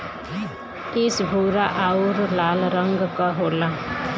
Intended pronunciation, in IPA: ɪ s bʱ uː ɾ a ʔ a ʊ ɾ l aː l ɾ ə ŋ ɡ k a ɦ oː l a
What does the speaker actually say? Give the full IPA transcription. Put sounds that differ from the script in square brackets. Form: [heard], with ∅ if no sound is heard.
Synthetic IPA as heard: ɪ s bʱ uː ɾ a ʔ a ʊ ɾ l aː l ɾ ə ŋ ɡ k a ɦ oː l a